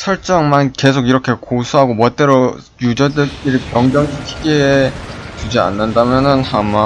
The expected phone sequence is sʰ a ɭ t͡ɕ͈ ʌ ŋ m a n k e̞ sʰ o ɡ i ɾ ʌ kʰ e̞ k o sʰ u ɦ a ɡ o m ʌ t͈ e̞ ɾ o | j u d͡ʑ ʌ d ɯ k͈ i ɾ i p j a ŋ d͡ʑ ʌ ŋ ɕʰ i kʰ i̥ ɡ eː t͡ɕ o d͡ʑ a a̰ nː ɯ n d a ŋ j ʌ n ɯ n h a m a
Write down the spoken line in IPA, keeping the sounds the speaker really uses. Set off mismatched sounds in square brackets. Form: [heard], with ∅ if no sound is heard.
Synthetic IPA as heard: sʰ [ʌ] ɭ t͡ɕ͈ ʌ ŋ m a n k e̞ sʰ o ɡ i ɾ ʌ kʰ e̞ k o sʰ u ɦ a ɡ o m ʌ t͈ e̞ ɾ o | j u d͡ʑ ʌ d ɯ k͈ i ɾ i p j [ʌ] ŋ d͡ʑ ʌ ŋ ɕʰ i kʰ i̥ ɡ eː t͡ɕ [u] d͡ʑ [i] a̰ nː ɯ n d a [m] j ʌ n ɯ n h a m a